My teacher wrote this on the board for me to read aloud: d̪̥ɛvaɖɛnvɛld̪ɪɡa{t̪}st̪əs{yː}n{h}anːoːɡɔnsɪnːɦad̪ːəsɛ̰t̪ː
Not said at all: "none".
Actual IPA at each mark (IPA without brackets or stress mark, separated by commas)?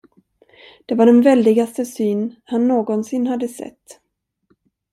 none, yː, h